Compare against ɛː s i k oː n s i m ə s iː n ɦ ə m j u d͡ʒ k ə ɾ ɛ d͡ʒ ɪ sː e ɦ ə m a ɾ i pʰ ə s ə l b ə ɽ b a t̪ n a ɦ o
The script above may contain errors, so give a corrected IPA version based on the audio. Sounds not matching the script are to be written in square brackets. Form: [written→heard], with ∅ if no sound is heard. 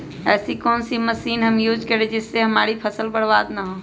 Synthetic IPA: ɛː s i k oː n s i m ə s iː n ɦ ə m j u d͡ʒ k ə ɾ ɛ d͡ʒ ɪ sː e ɦ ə m a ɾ i pʰ ə s ə l b ə ɽ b a [t̪→d̪] n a ɦ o